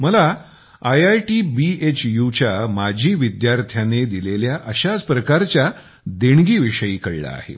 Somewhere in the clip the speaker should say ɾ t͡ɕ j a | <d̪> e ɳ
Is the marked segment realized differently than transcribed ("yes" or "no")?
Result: no